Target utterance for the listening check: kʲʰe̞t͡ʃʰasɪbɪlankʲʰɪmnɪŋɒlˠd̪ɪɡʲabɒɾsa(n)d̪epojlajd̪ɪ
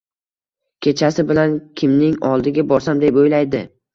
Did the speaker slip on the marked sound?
yes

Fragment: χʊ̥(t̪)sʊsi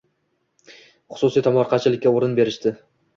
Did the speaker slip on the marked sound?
yes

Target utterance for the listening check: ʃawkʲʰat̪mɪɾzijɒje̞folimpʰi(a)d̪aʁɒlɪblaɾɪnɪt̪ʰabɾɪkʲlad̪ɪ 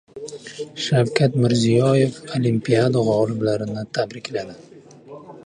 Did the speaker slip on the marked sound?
no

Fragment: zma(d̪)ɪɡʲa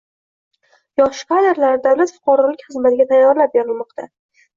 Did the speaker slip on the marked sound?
yes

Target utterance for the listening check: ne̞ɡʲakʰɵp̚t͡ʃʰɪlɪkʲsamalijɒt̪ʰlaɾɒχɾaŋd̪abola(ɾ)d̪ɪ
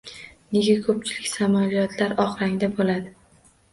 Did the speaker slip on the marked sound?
yes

